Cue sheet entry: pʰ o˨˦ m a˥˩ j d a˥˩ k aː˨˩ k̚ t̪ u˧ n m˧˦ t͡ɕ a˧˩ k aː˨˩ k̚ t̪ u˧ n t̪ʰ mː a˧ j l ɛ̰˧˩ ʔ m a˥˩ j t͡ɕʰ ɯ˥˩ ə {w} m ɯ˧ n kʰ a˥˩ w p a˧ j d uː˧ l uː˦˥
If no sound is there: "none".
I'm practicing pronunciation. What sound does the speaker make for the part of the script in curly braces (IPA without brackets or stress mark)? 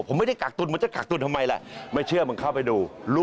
none